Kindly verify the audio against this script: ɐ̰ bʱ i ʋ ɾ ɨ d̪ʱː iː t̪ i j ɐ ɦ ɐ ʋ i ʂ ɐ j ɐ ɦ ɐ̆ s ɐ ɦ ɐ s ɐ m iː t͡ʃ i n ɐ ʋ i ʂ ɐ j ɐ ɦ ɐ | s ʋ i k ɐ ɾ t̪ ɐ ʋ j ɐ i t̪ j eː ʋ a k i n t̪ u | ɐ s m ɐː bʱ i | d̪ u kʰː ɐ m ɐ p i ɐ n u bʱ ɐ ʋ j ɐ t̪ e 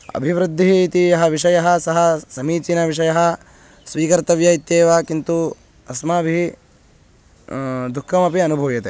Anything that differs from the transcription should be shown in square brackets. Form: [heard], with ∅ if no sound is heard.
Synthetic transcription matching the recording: ɐ̰ bʱ i ʋ ɾ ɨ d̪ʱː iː t̪ i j ɐ ɦ ɐ ʋ i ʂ ɐ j ɐ ɦ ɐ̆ s ɐ ɦ ɐ s ɐ m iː t͡ʃ i n ɐ ʋ i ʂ ɐ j ɐ ɦ ɐ | s ʋ [iː] k ɐ ɾ t̪ ɐ ʋ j ɐ i t̪ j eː ʋ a k i n t̪ u | ɐ s m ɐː bʱ i | d̪ u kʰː ɐ m ɐ p i ɐ n u bʱ ɐ ʋ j ɐ t̪ e